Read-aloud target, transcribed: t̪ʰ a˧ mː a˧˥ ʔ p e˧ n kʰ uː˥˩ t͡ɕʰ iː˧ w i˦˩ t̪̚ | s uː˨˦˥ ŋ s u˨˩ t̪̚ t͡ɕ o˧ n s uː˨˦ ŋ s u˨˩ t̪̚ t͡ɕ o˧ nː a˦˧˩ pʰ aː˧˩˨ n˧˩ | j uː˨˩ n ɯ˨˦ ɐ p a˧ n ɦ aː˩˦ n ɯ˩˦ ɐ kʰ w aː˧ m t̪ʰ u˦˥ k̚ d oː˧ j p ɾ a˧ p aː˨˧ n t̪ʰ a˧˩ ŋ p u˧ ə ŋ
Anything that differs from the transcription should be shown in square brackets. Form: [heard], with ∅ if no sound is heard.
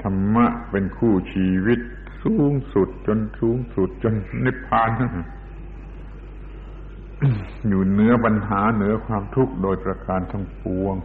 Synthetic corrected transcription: t̪ʰ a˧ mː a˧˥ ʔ p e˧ n kʰ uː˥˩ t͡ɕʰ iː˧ w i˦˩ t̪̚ | s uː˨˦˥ ŋ s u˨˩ t̪̚ t͡ɕ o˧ n s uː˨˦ ŋ s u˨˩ t̪̚ t͡ɕ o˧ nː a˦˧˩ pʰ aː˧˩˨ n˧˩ | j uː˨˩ n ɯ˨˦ ɐ p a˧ n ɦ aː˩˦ n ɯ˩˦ ɐ kʰ w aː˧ m t̪ʰ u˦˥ k̚ d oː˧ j p ɾ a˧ [k] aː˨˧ n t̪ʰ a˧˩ ŋ p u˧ ə ŋ